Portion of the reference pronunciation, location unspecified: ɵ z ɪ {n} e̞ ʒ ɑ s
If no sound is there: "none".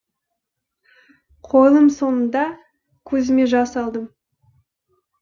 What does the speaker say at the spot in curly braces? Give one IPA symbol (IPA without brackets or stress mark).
m